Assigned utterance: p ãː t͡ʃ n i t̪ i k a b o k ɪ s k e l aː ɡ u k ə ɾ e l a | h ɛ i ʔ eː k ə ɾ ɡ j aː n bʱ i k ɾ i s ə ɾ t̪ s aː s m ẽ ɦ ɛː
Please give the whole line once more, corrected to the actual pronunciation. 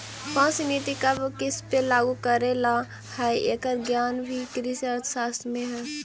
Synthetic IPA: p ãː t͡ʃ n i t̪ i k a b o k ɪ s p e l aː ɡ u k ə ɾ e l a | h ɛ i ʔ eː k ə ɾ ɡ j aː n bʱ i k ɾ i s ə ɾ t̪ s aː s m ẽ ɦ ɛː